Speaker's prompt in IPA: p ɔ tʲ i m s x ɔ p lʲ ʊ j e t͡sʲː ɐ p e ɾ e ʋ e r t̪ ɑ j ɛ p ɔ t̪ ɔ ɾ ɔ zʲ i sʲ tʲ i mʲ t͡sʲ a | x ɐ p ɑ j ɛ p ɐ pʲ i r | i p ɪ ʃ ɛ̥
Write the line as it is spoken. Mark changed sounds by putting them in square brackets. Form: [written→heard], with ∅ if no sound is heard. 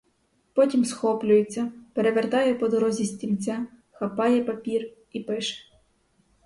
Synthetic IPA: p ɔ tʲ i m s x ɔ p lʲ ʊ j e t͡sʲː ɐ p e ɾ e ʋ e r t̪ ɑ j ɛ p ɔ [t̪→d̪] ɔ ɾ ɔ zʲ i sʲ tʲ i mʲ t͡sʲ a | x ɐ p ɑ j ɛ p ɐ pʲ i r | i p ɪ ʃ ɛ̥